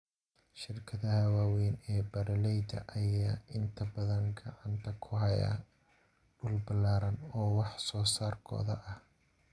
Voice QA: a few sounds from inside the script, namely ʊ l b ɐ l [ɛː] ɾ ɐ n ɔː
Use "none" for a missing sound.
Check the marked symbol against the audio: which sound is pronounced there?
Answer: aː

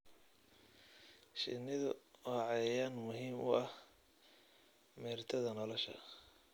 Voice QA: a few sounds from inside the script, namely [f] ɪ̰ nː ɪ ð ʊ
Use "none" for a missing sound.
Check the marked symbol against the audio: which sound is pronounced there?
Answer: ʃ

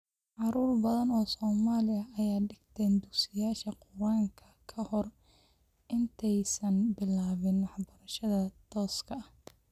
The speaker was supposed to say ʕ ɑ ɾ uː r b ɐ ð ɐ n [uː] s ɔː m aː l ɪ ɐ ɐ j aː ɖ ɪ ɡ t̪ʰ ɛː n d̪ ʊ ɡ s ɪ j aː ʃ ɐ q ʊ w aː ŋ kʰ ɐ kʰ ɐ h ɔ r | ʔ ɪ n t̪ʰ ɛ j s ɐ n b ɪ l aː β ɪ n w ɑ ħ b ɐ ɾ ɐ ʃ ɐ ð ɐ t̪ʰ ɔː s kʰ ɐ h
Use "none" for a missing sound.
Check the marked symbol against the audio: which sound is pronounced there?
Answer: ɔː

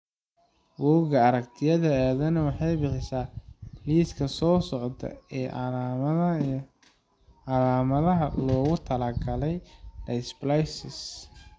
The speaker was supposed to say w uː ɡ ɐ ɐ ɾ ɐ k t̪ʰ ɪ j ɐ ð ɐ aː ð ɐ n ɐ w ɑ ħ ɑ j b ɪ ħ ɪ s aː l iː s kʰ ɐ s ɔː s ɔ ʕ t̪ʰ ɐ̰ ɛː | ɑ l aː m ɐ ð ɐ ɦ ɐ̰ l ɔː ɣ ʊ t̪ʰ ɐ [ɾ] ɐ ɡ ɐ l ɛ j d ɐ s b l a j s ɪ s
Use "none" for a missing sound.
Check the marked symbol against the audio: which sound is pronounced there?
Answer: l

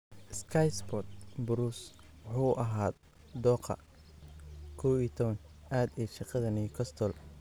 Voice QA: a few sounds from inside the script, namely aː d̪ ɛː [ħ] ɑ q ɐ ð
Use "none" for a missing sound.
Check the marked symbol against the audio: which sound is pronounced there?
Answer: ʃ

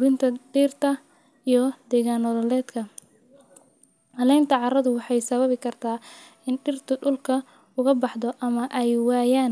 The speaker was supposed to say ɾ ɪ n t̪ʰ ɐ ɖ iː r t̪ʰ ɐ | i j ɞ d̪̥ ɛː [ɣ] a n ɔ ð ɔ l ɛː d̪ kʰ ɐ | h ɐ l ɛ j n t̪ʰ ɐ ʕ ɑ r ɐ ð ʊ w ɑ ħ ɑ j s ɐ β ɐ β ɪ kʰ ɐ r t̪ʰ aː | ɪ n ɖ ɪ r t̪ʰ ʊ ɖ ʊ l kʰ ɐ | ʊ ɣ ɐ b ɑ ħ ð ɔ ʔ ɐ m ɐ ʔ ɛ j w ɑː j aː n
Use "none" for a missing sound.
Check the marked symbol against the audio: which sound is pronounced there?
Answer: ɣ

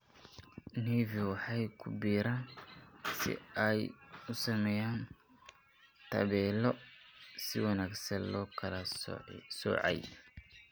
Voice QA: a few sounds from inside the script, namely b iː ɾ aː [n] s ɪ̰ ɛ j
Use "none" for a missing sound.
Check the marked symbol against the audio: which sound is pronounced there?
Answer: n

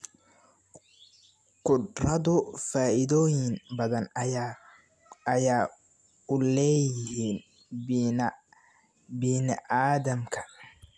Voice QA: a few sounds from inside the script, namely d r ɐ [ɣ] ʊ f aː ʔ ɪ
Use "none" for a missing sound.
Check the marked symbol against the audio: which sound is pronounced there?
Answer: ð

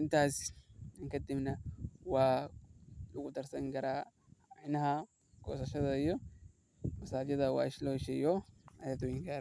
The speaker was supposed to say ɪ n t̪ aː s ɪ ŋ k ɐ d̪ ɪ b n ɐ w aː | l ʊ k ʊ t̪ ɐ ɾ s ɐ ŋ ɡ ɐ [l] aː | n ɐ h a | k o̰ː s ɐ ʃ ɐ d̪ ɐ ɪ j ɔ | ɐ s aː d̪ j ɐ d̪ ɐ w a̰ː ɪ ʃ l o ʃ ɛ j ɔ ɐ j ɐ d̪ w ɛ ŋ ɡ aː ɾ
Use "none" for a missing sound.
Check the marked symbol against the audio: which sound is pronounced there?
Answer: ɾ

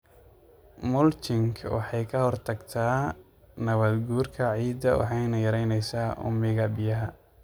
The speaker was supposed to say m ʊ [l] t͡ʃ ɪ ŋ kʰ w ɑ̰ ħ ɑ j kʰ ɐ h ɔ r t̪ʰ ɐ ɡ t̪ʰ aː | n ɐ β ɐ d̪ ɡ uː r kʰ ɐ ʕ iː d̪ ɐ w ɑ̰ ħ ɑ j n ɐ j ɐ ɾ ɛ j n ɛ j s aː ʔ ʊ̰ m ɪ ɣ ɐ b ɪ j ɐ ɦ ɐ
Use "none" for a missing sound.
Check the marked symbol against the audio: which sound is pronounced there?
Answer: l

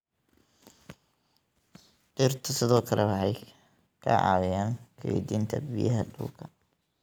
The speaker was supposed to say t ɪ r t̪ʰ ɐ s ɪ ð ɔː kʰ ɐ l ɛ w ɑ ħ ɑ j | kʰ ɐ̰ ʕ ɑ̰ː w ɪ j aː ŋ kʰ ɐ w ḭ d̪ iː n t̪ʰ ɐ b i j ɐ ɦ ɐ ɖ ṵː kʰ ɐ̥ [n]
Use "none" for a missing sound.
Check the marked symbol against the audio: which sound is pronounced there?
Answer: none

